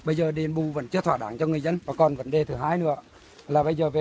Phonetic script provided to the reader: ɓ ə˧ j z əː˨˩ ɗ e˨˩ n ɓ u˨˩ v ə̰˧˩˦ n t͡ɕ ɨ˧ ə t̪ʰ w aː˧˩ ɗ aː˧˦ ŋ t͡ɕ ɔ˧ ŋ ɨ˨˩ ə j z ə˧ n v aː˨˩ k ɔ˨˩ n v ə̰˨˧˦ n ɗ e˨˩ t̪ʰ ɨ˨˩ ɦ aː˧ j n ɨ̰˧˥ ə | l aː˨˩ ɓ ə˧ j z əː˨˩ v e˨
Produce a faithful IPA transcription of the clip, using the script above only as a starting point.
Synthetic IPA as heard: ɓ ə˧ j z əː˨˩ ɗ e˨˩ n ɓ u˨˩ v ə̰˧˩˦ n t͡ɕ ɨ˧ ə t̪ʰ w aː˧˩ ɗ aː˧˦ ŋ t͡ɕ ɔ˧ ŋ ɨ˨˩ ə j z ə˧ n v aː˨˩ k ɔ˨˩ n v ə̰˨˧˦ n ɗ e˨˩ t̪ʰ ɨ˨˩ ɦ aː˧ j n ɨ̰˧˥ ə | l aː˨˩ ɓ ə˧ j z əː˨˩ v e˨